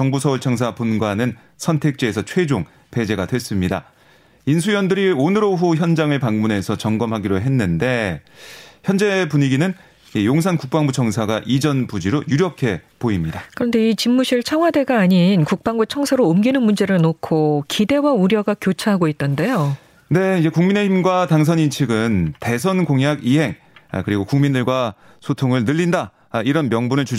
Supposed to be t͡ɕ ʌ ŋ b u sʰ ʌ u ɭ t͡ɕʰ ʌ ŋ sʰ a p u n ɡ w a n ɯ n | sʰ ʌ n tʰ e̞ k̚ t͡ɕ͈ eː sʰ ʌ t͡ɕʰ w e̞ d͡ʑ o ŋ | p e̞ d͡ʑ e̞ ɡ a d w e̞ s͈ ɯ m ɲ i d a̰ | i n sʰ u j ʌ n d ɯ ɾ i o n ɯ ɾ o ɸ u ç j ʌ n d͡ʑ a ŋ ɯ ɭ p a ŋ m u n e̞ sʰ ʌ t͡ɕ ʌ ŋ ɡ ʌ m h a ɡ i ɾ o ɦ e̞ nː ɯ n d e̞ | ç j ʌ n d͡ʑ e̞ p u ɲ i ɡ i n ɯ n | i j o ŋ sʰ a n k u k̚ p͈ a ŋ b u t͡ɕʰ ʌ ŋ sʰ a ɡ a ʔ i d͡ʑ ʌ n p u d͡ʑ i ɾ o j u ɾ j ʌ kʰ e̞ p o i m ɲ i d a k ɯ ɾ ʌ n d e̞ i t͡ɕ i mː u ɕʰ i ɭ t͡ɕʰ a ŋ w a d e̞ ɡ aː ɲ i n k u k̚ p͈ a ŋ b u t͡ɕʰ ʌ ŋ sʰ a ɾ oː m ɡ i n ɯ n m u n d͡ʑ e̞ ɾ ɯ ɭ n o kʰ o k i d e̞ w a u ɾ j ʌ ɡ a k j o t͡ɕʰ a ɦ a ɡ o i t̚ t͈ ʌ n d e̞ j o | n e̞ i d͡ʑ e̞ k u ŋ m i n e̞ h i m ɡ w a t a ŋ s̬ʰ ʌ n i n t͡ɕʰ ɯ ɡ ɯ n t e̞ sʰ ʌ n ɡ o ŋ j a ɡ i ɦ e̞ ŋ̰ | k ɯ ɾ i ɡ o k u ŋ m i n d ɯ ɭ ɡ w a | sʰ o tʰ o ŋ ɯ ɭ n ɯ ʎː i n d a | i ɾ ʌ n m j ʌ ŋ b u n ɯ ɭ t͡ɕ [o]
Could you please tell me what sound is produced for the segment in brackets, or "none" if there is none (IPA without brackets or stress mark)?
u